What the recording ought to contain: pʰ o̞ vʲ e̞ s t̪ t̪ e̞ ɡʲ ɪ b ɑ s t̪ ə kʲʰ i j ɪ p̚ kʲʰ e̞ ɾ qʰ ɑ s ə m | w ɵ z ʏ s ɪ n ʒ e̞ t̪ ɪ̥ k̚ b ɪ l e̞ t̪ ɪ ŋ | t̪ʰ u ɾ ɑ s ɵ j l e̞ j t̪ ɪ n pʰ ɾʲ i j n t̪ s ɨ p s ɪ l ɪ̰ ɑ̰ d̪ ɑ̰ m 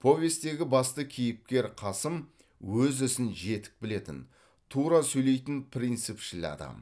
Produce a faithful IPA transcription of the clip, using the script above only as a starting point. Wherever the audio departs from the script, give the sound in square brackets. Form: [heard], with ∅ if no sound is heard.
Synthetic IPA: pʰ o̞ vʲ e̞ s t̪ t̪ e̞ ɡʲ ɪ b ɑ s t̪ ə kʲʰ i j ɪ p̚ [kʲ] e̞ ɾ qʰ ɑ s ə m | w ɵ z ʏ s ɪ n ʒ e̞ t̪ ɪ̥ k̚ b ɪ l e̞ t̪ ɪ [n] | t̪ʰ u ɾ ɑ s ɵ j l e̞ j t̪ ɪ n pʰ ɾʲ i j n t̪ s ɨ p [ʃ] ɪ l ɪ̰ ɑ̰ d̪ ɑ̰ m